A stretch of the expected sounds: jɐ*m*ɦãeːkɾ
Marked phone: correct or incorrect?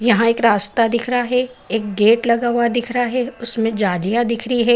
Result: incorrect: none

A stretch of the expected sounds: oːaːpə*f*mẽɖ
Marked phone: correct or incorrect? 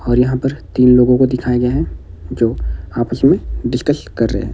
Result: incorrect: s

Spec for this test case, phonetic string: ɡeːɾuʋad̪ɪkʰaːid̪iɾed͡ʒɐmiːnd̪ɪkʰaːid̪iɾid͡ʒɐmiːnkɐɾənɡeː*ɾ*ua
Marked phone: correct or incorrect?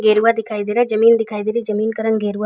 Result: correct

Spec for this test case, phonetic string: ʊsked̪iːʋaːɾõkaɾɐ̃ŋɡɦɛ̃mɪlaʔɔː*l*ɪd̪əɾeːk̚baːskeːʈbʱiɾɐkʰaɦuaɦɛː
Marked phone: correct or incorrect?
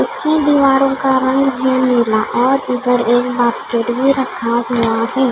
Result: incorrect: ɾ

